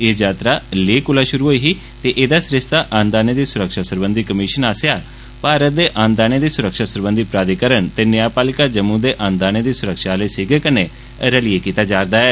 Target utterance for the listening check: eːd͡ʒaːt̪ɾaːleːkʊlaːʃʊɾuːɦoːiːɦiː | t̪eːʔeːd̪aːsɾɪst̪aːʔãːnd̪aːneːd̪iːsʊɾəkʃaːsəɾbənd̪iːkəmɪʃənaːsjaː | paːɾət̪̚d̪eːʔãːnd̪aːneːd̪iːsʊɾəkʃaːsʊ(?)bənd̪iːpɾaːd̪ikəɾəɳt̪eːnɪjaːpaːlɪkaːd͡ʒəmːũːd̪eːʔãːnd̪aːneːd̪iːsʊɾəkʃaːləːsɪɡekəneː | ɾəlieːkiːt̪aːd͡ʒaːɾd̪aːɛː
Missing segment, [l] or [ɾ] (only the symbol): ɾ